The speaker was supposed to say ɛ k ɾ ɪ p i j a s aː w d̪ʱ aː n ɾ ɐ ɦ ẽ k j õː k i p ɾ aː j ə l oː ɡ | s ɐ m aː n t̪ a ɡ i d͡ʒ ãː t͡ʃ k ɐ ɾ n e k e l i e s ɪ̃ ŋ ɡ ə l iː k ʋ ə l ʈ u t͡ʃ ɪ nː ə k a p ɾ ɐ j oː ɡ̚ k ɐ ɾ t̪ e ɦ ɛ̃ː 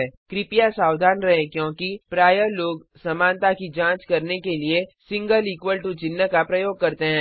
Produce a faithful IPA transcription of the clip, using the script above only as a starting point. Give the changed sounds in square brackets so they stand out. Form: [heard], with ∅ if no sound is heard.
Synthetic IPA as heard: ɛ k ɾ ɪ p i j a s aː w d̪ʱ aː n ɾ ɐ ɦ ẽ k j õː k i p ɾ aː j ə l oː ɡ | s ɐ m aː n t̪ a [k] i d͡ʒ ãː t͡ʃ k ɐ ɾ n e k e l i e s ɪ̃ ŋ ɡ ə l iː k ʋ ə l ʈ u t͡ʃ ɪ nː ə k a p ɾ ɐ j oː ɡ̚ k ɐ ɾ t̪ e ɦ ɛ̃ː